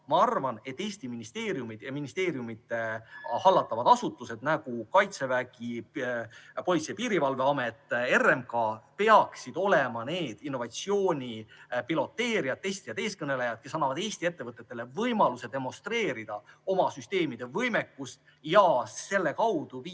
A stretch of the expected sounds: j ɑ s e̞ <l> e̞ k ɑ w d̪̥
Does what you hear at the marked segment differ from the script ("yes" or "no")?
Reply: yes